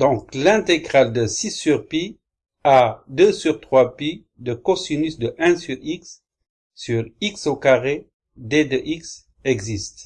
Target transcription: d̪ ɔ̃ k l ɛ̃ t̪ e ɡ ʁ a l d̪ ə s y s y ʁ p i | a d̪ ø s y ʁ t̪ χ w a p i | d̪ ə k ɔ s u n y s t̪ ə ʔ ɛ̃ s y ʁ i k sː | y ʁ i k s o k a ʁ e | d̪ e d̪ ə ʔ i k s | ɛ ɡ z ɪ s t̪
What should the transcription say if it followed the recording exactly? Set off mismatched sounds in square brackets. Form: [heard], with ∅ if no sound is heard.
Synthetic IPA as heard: d̪ ɔ̃ k l ɛ̃ t̪ e ɡ ʁ a l d̪ ə s [i] s y ʁ p i | a d̪ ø s y ʁ t̪ χ w a p i | d̪ ə k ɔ s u n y s [d̪] ə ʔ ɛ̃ s y ʁ i k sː | y ʁ i k s o k a ʁ e | d̪ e d̪ ə ʔ i k s | ɛ ɡ z [i] s t̪